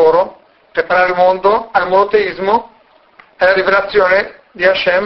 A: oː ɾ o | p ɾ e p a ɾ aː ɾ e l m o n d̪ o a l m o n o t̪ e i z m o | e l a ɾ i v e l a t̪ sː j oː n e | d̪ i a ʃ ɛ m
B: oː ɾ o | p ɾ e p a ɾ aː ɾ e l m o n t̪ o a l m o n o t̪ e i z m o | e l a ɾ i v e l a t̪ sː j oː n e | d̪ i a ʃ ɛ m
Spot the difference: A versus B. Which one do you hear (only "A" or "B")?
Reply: A